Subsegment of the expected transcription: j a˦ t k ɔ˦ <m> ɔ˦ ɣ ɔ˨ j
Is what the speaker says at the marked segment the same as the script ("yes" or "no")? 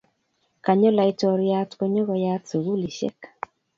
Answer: no